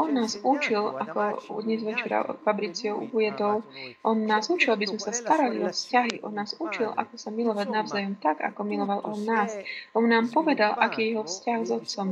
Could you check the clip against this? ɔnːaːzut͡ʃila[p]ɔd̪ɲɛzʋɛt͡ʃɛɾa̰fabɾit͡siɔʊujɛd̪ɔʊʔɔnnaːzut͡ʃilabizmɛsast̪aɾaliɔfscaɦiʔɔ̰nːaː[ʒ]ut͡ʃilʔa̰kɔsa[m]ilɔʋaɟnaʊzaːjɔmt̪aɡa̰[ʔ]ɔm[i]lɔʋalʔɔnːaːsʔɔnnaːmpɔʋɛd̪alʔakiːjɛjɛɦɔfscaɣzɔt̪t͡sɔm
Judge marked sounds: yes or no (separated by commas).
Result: no, no, yes, no, yes